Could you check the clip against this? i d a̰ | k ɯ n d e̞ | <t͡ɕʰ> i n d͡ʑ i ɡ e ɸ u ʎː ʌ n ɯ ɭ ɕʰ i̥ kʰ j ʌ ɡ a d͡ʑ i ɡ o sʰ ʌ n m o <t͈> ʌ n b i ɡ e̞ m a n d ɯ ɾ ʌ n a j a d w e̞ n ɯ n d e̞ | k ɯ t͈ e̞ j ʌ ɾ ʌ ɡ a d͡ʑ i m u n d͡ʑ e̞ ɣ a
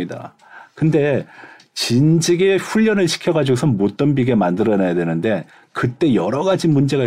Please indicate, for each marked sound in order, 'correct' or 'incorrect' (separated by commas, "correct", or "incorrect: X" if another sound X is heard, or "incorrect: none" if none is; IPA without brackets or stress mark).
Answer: incorrect: t͡ɕ, correct